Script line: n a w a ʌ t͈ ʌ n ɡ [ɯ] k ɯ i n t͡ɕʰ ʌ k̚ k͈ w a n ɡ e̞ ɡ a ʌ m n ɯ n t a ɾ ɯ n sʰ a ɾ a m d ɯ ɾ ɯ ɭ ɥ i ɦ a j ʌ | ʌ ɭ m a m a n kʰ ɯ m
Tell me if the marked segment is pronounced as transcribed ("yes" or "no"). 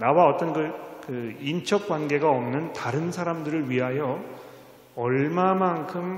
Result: yes